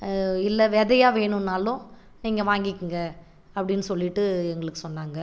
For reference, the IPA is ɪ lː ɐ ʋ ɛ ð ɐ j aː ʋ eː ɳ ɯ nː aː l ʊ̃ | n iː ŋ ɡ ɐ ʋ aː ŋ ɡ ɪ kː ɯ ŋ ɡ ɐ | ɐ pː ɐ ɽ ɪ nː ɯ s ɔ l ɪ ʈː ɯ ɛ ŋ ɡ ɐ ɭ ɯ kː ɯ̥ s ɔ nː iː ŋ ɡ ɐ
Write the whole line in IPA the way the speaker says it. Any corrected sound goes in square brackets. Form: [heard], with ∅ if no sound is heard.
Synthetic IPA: ɪ lː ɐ ʋ ɛ ð ɐ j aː ʋ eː ɳ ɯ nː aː l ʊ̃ | n iː ŋ ɡ ɐ ʋ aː ŋ ɡ ɪ kː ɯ ŋ ɡ ɐ | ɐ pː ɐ ɽ ɪ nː ɯ s ɔ [lː] ɪ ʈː ɯ ɛ ŋ ɡ ɐ ɭ ɯ kː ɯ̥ s ɔ nː [aː] ŋ ɡ ɐ